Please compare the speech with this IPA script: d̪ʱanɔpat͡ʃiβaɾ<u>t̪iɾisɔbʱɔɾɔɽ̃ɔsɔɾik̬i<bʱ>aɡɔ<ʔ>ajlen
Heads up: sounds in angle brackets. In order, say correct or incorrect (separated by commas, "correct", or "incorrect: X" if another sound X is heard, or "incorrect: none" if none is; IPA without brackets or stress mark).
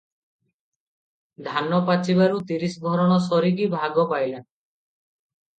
correct, correct, incorrect: p